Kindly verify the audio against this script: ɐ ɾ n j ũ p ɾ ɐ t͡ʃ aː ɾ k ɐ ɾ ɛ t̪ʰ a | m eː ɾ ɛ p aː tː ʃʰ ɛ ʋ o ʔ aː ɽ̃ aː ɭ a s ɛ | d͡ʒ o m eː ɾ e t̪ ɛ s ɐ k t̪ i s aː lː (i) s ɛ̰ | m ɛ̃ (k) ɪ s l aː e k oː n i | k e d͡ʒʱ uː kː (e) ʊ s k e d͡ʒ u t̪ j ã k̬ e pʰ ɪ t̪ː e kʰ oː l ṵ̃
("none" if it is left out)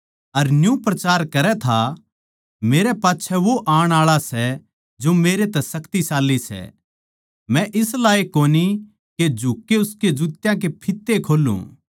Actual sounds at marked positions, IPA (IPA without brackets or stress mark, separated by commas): i, ʔ, e